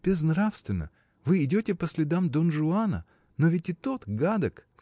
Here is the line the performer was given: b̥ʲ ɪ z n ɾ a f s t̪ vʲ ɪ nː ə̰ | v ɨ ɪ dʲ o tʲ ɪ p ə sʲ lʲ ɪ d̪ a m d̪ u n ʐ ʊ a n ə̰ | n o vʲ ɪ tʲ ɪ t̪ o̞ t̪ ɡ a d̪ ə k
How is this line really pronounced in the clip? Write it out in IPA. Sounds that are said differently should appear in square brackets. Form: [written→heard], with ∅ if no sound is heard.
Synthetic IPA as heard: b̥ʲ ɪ z n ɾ a f s t̪ vʲ ɪ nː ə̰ | v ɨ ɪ dʲ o tʲ ɪ p ə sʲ lʲ ɪ d̪ a m d̪ [u→o] n ʐ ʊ a n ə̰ | n o vʲ ɪ tʲ ɪ t̪ o̞ t̪ ɡ a d̪ ə k

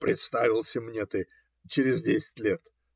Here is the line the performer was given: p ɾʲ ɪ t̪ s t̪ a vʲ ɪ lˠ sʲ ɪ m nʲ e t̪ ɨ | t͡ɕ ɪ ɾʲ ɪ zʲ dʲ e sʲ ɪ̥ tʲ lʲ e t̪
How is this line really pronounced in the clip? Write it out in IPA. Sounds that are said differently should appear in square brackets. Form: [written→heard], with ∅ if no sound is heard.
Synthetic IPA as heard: p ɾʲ ɪ t̪ s t̪ a vʲ ɪ lˠ sʲ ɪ m nʲ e t̪ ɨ | t͡ɕ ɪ ɾʲ ɪ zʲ dʲ e sʲ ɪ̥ tʲ lʲ e t̪

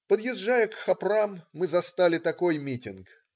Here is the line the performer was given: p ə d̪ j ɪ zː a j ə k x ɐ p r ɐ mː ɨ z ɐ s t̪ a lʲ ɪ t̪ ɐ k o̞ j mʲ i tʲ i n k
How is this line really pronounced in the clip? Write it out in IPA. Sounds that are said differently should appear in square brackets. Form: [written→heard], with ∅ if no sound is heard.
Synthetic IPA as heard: p ə d̪ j ɪ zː a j ə k x ɐ p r [ɐ→a] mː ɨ z ɐ s t̪ a lʲ ɪ t̪ ɐ k o̞ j mʲ i tʲ [i→ɪ] n k

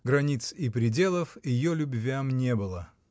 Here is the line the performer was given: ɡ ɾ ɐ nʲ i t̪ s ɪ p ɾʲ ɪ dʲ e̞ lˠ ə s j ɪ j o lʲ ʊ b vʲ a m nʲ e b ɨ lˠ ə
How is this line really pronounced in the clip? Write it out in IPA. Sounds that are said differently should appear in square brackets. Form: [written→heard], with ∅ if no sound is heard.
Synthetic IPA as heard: ɡ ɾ ɐ nʲ i t̪ s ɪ p ɾʲ ɪ dʲ e̞ lˠ ə [s→f] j ɪ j o lʲ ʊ b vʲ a m nʲ e b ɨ lˠ ə

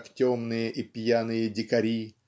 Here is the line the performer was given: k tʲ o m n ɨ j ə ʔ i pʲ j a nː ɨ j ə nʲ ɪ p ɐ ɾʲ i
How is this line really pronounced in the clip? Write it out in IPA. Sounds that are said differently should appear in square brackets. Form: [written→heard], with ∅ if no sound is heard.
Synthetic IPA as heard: k tʲ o m n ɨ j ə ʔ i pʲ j a [nː→n] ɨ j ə [nʲ→dʲ] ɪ [p→k] ɐ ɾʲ i

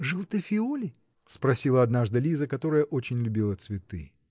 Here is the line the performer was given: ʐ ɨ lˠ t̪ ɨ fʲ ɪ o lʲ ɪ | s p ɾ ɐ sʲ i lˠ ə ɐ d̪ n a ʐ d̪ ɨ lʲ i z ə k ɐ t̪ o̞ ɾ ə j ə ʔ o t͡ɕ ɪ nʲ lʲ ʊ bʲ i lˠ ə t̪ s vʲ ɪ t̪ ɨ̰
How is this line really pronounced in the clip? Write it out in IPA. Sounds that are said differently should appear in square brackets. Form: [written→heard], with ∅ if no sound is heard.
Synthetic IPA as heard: ʐ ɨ lˠ t̪ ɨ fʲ ɪ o lʲ ɪ | s p ɾ ɐ sʲ i lˠ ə ɐ d̪ n a ʐ d̪ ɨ lʲ i z ə k ɐ t̪ o̞ ɾ ə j ə ʔ o t͡ɕ ɪ nʲ lʲ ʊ bʲ i lˠ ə t̪ s vʲ ɪ t̪ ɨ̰

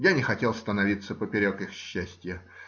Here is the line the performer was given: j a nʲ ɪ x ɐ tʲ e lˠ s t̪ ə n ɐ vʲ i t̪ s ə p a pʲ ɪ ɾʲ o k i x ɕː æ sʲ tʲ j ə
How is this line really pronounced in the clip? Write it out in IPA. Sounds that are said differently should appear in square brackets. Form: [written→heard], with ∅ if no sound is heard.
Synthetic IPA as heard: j a nʲ ɪ x ɐ tʲ e lˠ s t̪ ə n ɐ vʲ i t̪ s ə p [a→ə] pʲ ɪ ɾʲ o k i x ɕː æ sʲ tʲ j ə

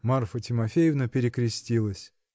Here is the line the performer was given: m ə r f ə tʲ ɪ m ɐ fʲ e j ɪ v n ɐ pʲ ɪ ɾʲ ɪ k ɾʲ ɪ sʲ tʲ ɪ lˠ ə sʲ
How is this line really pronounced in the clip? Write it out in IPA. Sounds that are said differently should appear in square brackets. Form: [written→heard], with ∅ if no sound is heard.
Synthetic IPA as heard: m [ə→a] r f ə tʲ ɪ m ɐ fʲ e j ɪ v n [ɐ→ə] pʲ ɪ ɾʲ ɪ k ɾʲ ɪ sʲ tʲ [ɪ→i] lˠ ə sʲ

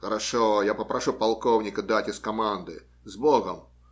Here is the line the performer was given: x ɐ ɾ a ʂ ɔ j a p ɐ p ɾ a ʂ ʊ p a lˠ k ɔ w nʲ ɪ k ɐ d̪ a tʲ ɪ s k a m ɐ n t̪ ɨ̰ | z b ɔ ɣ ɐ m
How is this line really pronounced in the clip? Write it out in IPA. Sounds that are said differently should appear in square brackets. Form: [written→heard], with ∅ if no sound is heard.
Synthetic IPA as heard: x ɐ ɾ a ʂ ɔ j a p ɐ p ɾ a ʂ [ʊ→u] p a lˠ k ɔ w nʲ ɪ k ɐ d̪ a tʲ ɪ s k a m [ɐ→a] n [t̪→d̪] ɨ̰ | z b ɔ ɣ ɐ m

